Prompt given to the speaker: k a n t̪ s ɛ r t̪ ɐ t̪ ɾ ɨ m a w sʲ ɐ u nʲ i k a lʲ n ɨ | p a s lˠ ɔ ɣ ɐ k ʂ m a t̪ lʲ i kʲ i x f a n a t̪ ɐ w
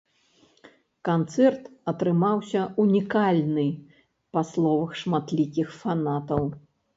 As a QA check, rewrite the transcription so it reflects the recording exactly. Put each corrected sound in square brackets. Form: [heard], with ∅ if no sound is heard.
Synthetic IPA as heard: k a n t̪ s ɛ r t̪ ɐ t̪ ɾ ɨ m a w sʲ ɐ u nʲ i k a lʲ n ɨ | p a s lˠ ɔ [v] ɐ [x] ʂ m a t̪ lʲ i kʲ i x f a n a t̪ ɐ w